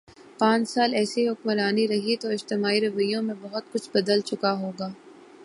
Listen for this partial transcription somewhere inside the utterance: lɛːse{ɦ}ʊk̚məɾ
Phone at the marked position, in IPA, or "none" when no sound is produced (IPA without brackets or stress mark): ɦ